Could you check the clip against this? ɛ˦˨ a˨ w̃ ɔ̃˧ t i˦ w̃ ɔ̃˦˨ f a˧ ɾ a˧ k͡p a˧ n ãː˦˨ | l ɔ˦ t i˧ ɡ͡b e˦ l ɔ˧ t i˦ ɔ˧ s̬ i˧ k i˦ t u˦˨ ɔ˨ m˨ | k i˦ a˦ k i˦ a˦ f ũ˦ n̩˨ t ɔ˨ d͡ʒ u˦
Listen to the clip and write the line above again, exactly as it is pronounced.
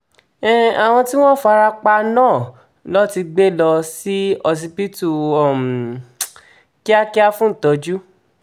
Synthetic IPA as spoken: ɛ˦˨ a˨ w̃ ɔ̃˧ t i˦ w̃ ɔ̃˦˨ f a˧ ɾ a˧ k͡p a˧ n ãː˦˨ | l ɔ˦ t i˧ ɡ͡b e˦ l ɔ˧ s i˦ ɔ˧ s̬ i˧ p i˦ t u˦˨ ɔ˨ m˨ | k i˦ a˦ k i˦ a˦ f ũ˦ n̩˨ t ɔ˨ d͡ʒ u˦